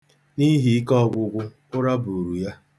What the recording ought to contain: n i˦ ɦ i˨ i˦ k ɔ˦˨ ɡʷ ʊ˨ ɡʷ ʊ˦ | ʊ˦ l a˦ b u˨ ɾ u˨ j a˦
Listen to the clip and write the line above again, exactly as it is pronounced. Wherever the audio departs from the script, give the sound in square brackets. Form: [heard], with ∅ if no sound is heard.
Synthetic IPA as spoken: n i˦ ɦ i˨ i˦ k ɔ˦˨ ɡʷ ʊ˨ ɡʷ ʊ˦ | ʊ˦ [ɾ] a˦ b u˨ ɾ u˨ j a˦